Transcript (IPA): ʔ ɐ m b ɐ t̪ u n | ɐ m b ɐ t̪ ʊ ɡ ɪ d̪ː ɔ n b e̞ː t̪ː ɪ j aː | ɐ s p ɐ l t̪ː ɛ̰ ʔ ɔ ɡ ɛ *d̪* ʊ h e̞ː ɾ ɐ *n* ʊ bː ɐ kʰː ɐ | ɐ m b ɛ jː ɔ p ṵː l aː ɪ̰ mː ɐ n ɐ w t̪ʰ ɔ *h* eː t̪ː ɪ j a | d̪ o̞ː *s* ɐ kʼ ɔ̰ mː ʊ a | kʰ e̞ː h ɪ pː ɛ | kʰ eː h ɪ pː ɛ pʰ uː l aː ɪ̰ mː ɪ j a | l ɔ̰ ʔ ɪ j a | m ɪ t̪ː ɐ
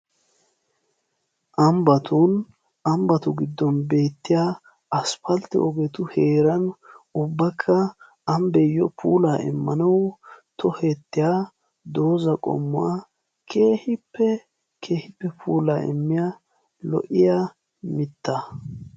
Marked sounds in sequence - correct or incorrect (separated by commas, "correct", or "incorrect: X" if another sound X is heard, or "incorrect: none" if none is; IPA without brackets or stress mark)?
incorrect: t̪, correct, correct, incorrect: z